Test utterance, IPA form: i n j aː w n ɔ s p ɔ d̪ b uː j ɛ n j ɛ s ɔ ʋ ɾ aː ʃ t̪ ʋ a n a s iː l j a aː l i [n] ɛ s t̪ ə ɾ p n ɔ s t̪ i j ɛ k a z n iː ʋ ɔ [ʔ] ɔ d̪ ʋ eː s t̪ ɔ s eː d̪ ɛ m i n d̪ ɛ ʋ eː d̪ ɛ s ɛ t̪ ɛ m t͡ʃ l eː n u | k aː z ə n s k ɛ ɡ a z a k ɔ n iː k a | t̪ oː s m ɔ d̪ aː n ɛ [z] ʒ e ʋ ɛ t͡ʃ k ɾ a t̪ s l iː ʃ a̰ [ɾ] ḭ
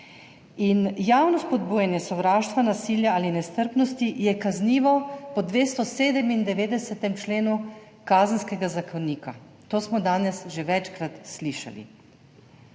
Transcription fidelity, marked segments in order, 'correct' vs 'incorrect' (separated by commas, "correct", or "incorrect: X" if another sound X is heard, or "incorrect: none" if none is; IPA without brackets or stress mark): correct, incorrect: p, incorrect: s, incorrect: l